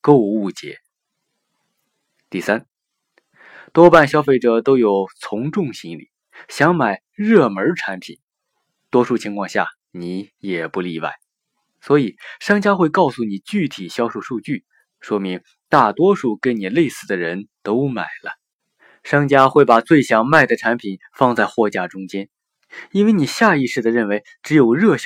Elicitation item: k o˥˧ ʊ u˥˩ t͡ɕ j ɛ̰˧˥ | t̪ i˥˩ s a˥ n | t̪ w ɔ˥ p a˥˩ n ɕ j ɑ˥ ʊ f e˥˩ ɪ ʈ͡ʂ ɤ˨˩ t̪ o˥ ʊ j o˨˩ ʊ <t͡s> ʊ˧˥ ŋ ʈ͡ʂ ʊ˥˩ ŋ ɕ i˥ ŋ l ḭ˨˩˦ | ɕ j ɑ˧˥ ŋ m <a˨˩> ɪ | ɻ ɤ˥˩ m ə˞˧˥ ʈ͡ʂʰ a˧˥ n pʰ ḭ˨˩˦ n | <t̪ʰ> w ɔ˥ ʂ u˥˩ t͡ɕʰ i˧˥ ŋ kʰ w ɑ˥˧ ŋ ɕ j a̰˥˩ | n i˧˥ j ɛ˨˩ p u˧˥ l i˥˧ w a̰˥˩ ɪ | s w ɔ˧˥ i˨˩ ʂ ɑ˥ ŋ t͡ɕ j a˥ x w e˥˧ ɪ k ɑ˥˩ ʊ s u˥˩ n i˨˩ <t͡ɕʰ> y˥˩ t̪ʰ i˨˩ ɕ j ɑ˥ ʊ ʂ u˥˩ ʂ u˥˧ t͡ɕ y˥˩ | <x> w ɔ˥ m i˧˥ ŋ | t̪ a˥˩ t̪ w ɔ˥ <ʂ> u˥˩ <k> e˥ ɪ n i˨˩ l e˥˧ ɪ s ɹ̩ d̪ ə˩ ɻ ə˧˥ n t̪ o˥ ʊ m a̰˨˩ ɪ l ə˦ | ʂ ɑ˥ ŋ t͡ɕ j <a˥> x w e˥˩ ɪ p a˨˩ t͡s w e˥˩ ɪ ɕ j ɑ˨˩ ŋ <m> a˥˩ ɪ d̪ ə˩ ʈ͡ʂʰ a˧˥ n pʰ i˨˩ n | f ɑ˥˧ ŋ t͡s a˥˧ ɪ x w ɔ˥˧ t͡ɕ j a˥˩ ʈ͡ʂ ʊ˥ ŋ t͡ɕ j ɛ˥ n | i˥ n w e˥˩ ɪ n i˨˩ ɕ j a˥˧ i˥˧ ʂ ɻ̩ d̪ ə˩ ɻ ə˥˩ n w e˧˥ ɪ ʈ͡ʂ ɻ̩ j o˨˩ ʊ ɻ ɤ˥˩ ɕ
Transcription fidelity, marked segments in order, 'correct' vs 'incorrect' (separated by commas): incorrect, correct, incorrect, incorrect, incorrect, correct, correct, correct, correct